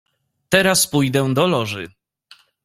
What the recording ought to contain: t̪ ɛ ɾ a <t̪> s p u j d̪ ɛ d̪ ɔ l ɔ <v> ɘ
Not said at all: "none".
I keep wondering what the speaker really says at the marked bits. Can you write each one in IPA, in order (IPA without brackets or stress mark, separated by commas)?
none, ʐ